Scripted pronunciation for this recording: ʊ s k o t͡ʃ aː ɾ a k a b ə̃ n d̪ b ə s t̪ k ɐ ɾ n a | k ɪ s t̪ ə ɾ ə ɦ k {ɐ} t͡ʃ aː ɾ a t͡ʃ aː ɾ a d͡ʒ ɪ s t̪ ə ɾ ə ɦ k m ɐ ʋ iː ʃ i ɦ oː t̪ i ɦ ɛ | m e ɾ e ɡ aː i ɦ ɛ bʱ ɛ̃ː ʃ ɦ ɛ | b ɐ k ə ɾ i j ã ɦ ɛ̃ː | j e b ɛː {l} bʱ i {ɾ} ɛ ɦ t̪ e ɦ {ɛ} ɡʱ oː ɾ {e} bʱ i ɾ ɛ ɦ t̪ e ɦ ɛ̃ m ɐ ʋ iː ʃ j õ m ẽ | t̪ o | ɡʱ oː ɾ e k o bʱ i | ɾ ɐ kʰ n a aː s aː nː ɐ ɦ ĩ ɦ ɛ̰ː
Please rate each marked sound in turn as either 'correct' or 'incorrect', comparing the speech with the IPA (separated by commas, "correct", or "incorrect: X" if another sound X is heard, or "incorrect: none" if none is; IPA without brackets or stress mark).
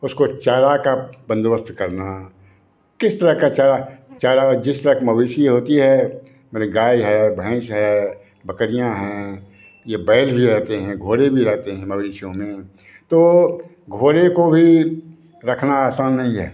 incorrect: a, correct, correct, incorrect: ɛ̃, correct